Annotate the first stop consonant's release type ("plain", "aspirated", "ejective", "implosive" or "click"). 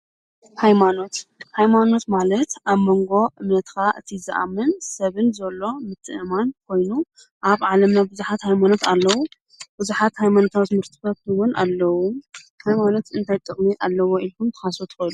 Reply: plain